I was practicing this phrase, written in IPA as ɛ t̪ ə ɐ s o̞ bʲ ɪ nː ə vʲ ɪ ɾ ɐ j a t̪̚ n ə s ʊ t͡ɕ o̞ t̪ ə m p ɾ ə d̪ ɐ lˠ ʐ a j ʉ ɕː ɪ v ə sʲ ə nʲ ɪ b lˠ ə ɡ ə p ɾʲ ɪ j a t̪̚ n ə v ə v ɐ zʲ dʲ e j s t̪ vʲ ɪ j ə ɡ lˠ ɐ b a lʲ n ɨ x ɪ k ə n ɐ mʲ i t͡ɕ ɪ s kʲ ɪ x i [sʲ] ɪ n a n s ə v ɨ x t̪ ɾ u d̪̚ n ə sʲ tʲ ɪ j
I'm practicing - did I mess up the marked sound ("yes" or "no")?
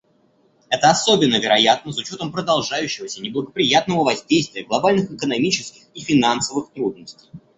yes